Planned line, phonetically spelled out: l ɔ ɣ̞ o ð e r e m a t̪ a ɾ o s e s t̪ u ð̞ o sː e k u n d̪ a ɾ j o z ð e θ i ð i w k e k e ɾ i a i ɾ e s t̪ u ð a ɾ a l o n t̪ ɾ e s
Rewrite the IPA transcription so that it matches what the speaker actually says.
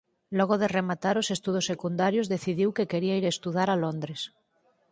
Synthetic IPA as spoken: l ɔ ɣ̞ o ð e r e m a t̪ a ɾ o s e s t̪ u ð̞ o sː e k u n d̪ a ɾ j o z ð e θ i ð i w k e k e ɾ i a i ɾ e s t̪ u ð a ɾ a l o n d̪ ɾ e s